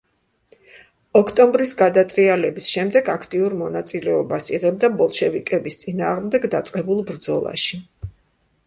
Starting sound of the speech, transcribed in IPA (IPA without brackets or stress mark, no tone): ɔ